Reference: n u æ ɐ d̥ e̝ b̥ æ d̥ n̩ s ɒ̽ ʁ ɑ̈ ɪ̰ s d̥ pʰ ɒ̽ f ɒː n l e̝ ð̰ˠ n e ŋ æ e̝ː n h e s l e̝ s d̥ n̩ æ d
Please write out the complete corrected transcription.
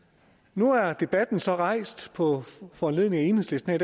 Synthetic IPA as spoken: n u æ ɐ d̥ e̝ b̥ æ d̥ n̩ s ɒ̽ ʁ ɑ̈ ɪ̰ s d̥ pʰ ɒ̽ f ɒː n l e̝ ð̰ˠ n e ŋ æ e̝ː n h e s l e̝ s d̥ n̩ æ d